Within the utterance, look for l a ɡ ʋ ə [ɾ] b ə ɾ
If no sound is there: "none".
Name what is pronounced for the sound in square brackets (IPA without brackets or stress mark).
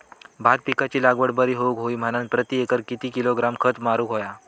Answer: ɽ